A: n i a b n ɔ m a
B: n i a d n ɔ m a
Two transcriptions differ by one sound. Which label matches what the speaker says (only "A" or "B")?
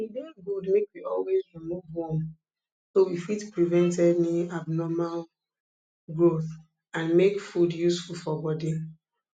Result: A